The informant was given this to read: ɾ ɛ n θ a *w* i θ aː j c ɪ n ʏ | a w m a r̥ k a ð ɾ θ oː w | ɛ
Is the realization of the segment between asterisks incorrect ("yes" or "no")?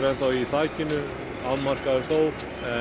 no